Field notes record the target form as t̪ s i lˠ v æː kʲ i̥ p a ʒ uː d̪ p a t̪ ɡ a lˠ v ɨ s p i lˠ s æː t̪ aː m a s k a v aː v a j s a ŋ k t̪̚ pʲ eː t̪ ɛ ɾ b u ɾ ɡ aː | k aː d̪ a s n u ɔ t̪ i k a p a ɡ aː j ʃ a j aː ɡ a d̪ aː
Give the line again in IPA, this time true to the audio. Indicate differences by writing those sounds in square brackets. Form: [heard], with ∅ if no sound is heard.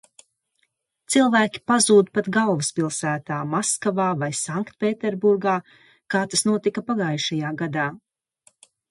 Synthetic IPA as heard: t̪ s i lˠ v æː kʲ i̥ p a [z] uː d̪ p a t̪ ɡ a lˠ v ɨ s p i lˠ s æː t̪ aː m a s k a v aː v a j s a ŋ k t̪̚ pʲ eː t̪ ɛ ɾ b u ɾ ɡ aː | k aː [t̪] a s n u ɔ t̪ i k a p a ɡ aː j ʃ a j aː ɡ a d̪ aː